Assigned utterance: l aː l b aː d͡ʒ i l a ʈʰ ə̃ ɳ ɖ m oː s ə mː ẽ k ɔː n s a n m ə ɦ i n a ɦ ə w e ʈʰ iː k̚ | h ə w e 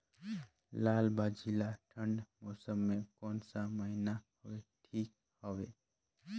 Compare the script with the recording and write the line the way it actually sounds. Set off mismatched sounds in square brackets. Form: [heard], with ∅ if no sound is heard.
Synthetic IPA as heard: l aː l b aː d͡ʒ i l a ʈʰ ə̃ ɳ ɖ m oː s ə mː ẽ k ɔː n s a [∅] m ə ɦ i n a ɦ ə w e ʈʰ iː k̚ | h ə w e